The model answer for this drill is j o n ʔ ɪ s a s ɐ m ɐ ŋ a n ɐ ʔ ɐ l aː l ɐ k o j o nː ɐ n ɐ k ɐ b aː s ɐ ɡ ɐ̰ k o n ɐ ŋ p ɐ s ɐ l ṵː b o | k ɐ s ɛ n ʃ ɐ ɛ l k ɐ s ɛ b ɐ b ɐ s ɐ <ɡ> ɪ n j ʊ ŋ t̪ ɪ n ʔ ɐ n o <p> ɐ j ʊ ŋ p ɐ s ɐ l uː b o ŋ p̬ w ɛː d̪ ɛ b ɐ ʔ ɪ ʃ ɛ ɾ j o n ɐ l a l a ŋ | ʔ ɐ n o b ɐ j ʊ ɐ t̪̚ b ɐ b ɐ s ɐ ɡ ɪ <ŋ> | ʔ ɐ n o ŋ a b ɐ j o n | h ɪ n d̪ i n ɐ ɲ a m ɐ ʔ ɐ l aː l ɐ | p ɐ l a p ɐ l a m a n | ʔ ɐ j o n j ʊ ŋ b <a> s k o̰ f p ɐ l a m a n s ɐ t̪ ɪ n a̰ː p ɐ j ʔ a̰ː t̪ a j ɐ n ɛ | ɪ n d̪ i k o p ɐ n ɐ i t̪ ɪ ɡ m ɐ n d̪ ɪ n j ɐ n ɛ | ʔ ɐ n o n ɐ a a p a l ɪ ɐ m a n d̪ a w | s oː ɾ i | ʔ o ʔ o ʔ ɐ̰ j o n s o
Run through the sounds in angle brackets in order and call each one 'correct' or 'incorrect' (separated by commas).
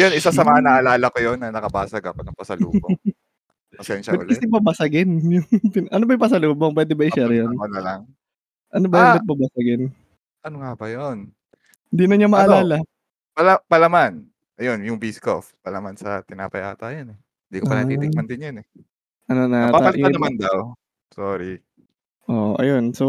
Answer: correct, incorrect, incorrect, incorrect